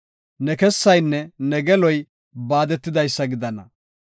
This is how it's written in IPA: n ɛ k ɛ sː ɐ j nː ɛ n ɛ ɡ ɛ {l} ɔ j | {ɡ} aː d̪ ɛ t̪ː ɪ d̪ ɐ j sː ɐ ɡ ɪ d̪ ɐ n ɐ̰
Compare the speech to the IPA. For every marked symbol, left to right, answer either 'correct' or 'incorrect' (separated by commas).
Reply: correct, incorrect